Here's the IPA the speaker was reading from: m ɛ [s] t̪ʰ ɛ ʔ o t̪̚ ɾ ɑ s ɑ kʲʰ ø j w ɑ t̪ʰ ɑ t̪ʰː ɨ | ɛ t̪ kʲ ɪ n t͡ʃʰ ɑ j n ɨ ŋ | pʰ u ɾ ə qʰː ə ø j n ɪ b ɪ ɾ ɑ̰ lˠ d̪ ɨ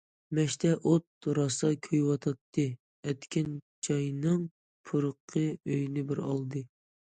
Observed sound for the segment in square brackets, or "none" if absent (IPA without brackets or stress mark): ʃ